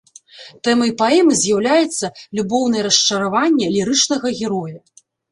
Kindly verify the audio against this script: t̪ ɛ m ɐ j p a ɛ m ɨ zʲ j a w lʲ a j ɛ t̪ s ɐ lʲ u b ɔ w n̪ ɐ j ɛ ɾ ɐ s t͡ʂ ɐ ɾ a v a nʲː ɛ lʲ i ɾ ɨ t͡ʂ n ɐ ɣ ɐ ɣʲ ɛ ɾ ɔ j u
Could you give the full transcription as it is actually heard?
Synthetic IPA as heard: t̪ ɛ m ɐ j p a ɛ m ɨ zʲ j a w lʲ a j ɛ t̪ sː ɐ lʲ u b ɔ w n̪ ɐ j ɛ ɾ ɐ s t͡ʂ ɐ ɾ a v a nʲː ɛ lʲ i ɾ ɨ t͡ʂ n ɐ ɣ ɐ ɣʲ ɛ ɾ ɔ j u